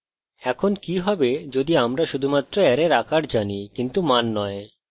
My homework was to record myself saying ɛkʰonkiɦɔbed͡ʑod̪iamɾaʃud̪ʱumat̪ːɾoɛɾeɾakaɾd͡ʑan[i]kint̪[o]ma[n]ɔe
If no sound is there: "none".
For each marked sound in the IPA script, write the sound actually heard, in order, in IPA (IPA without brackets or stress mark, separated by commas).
i, u, nː